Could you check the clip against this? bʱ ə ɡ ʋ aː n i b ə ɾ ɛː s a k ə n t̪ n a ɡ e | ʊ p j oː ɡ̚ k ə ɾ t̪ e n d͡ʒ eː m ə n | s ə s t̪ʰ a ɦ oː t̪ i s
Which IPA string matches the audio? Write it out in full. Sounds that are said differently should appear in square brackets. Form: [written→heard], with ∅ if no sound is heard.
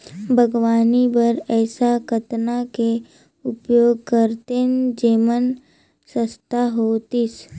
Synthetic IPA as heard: bʱ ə ɡ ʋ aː n i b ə ɾ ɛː s a k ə [n→∅] t̪ n a [ɡ→k] e | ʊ p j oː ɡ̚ k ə ɾ t̪ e n d͡ʒ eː m ə n | s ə s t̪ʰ a ɦ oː t̪ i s